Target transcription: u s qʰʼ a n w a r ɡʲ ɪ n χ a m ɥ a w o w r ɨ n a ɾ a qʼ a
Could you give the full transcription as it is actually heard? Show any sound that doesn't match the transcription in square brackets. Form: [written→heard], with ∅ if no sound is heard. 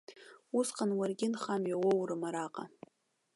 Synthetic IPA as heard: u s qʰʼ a n w a r ɡʲ ɪ n χ a m ɥ a w o w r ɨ [n→m] a ɾ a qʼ a